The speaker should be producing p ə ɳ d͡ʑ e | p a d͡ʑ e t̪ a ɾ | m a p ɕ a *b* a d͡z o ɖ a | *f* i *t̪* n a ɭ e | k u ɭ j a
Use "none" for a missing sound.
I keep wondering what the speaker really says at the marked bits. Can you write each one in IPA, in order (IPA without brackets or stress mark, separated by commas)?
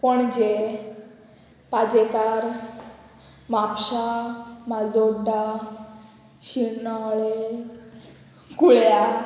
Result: m, ɕ, none